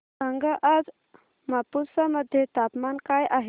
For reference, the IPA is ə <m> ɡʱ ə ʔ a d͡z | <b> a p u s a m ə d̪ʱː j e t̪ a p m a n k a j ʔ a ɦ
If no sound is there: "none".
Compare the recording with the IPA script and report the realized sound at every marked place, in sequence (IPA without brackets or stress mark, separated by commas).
ŋ, m